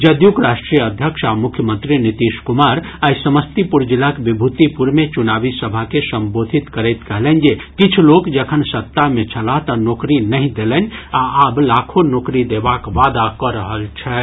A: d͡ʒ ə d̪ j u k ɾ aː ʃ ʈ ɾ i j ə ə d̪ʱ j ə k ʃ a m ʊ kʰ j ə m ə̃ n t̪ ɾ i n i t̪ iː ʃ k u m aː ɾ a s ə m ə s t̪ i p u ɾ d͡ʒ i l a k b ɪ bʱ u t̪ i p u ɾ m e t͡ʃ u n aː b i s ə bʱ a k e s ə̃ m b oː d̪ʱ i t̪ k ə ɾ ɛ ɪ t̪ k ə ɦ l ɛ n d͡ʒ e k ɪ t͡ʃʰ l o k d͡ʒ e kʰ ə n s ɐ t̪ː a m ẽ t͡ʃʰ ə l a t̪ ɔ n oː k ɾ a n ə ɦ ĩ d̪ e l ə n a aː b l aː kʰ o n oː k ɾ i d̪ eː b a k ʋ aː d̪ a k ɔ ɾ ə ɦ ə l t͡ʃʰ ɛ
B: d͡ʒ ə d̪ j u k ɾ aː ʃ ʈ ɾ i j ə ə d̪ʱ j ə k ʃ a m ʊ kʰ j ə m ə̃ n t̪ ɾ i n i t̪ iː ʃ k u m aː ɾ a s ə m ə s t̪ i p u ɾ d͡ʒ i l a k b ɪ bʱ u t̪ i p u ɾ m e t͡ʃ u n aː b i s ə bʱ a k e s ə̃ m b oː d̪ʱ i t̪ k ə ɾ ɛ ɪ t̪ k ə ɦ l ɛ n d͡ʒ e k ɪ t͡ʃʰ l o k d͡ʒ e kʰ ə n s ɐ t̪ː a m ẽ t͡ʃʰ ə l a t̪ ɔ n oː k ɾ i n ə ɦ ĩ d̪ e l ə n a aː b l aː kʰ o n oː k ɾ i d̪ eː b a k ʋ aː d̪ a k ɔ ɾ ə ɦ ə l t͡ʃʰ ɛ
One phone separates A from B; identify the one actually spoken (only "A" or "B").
B